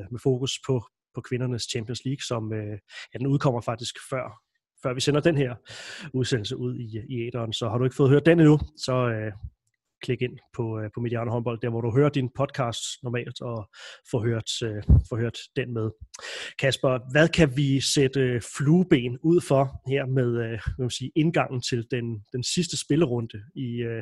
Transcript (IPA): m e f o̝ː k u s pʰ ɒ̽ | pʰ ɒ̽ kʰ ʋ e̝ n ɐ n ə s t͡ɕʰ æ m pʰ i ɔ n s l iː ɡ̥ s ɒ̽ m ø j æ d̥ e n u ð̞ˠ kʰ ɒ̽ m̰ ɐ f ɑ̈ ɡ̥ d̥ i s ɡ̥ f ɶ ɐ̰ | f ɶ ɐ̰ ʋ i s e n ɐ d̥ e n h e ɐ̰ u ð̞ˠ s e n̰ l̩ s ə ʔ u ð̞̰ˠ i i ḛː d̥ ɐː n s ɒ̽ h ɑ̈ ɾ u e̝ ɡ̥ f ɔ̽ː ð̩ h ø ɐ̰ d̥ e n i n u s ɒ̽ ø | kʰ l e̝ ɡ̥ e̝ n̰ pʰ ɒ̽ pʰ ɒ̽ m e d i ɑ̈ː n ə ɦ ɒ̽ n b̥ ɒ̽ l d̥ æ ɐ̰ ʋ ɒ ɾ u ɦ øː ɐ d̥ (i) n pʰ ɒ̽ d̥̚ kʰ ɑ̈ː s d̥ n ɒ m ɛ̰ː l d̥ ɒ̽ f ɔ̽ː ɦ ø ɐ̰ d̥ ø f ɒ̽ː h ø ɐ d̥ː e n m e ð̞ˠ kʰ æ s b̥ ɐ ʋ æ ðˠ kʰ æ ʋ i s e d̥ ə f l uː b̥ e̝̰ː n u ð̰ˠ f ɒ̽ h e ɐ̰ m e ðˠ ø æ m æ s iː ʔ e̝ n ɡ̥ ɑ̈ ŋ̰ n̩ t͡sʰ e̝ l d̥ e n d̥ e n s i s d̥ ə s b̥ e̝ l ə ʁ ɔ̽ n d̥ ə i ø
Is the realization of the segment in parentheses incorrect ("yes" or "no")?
no